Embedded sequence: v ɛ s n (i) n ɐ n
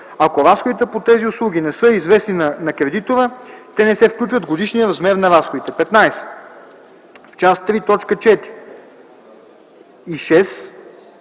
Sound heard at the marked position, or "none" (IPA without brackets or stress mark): i